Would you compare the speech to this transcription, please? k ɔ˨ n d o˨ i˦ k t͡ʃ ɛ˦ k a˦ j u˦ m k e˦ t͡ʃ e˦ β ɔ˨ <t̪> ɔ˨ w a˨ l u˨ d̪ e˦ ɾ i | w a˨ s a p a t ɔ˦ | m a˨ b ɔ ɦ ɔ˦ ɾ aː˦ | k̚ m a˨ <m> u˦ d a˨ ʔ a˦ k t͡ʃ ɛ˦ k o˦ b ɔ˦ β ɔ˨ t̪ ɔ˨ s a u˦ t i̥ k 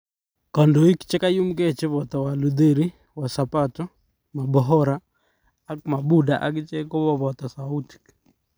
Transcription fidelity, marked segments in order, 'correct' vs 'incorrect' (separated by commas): correct, incorrect